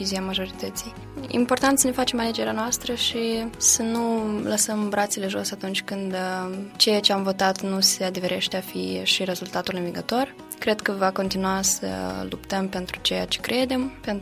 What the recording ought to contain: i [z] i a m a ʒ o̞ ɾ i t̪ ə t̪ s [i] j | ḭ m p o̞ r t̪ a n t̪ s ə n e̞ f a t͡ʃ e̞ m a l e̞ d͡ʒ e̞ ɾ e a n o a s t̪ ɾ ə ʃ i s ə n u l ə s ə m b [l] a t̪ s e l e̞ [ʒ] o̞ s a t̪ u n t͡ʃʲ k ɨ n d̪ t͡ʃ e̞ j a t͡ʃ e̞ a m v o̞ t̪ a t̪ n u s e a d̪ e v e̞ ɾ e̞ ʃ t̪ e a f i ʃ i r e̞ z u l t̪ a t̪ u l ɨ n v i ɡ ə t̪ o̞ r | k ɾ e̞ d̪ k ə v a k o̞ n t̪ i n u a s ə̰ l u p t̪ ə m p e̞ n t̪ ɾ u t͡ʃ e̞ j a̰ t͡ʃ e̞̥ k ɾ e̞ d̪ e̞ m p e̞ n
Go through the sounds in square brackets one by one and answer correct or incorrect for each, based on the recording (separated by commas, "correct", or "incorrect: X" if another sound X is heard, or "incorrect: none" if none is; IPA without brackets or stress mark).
correct, correct, incorrect: ɾ, correct